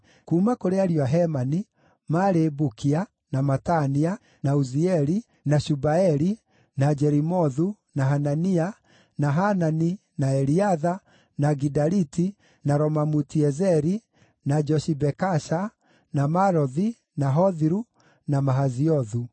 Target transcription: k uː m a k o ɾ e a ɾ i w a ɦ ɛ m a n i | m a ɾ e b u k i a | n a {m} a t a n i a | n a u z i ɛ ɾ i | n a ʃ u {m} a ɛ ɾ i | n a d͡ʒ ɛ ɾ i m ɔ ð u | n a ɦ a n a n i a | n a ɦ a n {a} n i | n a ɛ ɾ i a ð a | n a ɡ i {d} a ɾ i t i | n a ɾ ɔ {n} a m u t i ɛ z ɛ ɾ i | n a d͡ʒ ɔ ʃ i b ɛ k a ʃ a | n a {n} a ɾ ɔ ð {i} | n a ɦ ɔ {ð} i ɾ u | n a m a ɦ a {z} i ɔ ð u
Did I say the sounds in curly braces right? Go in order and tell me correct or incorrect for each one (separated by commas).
correct, incorrect, correct, correct, incorrect, incorrect, correct, correct, correct